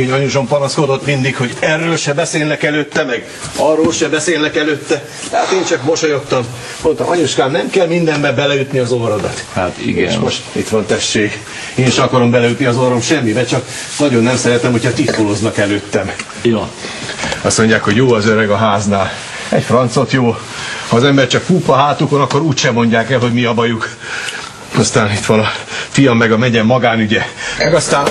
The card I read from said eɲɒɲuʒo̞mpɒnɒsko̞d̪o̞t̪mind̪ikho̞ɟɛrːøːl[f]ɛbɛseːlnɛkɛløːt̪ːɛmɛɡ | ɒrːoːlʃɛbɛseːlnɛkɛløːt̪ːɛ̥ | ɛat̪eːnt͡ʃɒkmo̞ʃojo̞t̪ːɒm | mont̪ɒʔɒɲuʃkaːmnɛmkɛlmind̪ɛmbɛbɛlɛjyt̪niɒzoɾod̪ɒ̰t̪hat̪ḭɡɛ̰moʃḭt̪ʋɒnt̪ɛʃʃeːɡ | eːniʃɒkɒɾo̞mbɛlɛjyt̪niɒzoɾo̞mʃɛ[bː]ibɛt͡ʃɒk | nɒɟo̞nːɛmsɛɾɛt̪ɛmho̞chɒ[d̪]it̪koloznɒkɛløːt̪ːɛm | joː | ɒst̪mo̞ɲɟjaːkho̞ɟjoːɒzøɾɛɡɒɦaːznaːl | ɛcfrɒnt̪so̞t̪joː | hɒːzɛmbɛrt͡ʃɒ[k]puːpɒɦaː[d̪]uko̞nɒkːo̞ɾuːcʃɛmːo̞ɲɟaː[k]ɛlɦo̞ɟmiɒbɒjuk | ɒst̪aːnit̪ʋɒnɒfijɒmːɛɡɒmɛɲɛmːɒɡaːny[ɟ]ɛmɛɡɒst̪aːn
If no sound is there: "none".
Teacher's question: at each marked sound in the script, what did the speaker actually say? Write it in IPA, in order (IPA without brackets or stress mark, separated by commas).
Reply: ʃ, mː, t̪, k, t̪, k, ɟ